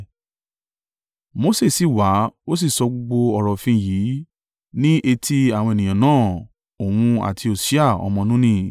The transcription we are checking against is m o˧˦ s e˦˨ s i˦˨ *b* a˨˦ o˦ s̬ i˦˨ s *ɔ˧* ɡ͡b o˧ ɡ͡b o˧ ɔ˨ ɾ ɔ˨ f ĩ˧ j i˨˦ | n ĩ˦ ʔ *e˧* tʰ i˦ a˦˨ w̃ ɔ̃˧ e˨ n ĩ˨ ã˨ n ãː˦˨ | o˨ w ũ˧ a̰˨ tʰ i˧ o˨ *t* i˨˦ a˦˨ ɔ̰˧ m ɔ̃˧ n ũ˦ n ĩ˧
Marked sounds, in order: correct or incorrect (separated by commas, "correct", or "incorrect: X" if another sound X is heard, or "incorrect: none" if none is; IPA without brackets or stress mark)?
incorrect: w, correct, correct, incorrect: s